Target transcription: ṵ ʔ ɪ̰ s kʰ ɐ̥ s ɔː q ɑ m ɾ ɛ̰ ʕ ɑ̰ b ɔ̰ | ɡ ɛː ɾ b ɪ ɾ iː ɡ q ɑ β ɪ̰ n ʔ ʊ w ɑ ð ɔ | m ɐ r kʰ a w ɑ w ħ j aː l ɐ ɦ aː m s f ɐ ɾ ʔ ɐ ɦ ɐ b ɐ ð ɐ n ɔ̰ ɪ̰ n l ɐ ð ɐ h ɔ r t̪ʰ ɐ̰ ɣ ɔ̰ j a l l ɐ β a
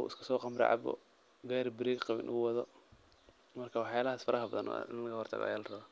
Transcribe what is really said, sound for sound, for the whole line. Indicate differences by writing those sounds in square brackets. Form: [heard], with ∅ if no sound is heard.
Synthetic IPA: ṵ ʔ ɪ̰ s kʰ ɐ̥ s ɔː q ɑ m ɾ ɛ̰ ʕ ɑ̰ b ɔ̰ | ɡ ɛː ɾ b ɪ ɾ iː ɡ q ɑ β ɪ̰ n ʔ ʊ w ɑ ð ɔ | m ɐ r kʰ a w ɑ [∅] ħ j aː l ɐ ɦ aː [∅] s f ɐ ɾ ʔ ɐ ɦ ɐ b ɐ ð ɐ n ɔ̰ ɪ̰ n l ɐ [ɣ] ɐ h ɔ r t̪ʰ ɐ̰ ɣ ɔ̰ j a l [r] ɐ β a